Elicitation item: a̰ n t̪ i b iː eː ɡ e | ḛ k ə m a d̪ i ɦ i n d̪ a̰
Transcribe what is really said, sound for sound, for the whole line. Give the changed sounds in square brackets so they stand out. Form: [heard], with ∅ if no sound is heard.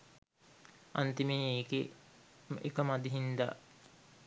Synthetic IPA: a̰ n t̪ i [m] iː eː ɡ e | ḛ k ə m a d̪ i ɦ i n d̪ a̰